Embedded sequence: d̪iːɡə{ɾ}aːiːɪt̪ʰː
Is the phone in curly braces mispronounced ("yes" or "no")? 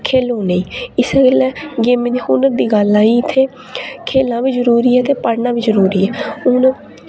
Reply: yes